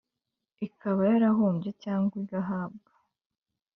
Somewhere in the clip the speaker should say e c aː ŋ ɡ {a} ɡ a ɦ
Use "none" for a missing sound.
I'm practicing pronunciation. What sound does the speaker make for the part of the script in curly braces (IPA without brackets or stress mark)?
i